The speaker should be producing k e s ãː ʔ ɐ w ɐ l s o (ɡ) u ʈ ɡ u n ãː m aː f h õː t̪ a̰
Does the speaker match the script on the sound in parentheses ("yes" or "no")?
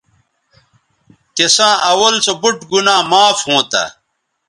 no